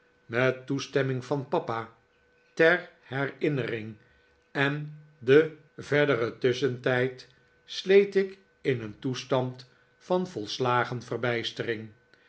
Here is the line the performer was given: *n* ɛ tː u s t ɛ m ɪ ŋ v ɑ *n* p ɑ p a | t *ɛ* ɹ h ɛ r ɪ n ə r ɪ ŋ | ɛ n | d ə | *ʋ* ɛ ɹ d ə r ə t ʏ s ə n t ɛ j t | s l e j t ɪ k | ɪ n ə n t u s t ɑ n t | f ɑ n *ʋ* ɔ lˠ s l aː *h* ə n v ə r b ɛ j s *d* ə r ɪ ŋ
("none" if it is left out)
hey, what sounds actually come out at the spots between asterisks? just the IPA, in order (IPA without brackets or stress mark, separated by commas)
m, n, ɛ, v, v, χ, t